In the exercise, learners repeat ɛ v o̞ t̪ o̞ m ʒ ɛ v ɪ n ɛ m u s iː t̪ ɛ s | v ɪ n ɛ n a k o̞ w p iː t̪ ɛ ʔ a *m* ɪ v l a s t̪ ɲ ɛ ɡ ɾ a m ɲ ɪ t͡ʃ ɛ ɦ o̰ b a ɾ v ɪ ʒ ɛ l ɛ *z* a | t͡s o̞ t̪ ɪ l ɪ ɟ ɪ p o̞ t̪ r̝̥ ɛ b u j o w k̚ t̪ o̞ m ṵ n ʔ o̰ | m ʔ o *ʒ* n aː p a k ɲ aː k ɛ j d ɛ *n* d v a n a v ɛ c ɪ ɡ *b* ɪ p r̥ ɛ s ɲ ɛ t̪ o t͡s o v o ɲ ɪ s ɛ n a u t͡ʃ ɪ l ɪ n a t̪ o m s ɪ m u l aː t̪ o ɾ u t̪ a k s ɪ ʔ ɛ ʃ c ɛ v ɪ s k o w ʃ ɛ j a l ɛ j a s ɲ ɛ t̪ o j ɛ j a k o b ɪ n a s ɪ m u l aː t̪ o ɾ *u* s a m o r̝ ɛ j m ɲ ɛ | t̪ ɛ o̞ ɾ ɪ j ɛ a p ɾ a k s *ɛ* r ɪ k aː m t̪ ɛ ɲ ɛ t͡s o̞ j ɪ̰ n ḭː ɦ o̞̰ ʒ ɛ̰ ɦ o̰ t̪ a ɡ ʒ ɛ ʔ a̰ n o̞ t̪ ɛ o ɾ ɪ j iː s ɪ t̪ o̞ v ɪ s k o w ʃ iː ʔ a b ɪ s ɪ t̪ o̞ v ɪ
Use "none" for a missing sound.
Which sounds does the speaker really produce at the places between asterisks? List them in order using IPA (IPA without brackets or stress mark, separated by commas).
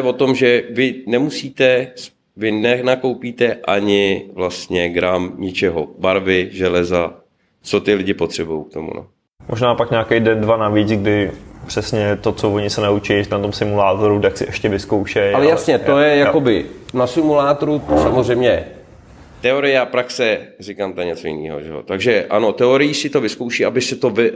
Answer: ɲ, z, ʒ, n, d, u, ɛ